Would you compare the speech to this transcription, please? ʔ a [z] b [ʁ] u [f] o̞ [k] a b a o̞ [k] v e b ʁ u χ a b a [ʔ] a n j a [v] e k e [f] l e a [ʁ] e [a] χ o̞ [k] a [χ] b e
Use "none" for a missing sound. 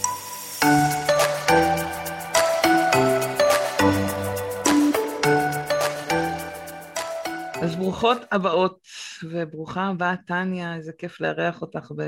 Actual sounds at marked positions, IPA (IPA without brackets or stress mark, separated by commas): z, ʁ, χ, t, t, t, z, f, ʁ, a, t, χ